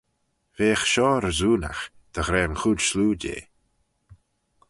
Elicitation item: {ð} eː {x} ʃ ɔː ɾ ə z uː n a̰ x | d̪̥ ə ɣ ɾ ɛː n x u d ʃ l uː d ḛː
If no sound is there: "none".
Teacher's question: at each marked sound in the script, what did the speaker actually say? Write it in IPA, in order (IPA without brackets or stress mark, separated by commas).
v, x